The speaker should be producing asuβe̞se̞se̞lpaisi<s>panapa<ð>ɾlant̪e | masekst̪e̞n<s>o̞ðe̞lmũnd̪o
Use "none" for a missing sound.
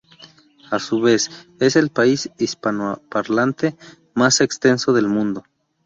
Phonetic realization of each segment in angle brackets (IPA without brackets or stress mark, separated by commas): s, none, s